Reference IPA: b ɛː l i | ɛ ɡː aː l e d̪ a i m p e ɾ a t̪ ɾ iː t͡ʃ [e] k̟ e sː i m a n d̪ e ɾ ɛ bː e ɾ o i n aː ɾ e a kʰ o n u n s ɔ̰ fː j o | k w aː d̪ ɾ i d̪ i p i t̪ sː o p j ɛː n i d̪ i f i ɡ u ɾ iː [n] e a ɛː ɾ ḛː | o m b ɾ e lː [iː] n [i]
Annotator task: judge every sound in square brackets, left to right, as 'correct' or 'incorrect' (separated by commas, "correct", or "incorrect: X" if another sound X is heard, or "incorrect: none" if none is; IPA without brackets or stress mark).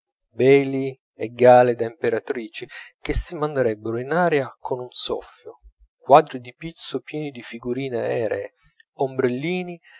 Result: incorrect: i, correct, correct, correct